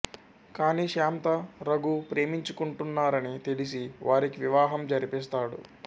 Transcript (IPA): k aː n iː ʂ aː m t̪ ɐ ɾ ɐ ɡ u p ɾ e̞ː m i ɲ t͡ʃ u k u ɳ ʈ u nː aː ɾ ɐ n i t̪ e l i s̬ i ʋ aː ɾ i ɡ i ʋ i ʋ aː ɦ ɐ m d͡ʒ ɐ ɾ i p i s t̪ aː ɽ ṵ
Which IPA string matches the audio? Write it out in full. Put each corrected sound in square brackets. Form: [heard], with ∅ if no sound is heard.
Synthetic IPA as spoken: k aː n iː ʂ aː m t̪ ɐ ɾ ɐ ɡ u p ɾ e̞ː m i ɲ t͡ʃ u k u ɳ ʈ u nː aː ɾ ɐ n i t̪ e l i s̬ i ʋ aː ɾ i [k] i ʋ i ʋ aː ɦ ɐ m d͡ʒ ɐ ɾ i p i s t̪ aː ɽ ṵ